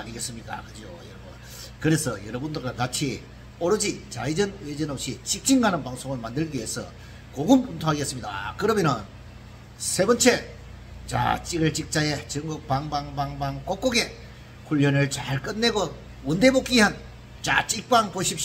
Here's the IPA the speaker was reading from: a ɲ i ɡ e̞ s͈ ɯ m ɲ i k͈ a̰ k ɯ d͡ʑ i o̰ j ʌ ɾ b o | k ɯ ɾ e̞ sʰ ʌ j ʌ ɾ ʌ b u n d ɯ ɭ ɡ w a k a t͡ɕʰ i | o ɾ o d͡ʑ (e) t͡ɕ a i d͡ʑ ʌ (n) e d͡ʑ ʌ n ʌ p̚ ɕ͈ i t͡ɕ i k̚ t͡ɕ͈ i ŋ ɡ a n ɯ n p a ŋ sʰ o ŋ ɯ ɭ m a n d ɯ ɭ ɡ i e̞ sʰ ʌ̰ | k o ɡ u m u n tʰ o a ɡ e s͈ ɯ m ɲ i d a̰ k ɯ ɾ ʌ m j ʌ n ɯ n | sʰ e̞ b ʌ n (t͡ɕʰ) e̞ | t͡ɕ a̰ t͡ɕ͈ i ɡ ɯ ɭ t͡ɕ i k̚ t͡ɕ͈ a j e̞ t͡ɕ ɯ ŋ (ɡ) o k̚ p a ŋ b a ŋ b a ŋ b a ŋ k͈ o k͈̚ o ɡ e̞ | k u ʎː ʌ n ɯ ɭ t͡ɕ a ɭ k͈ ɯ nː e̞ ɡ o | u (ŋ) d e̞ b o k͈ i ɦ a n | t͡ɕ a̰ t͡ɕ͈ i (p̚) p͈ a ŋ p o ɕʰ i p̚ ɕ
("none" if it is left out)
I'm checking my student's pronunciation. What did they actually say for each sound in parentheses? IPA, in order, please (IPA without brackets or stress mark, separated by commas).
i, n, t͡ɕʰ, ɡ, n, k̚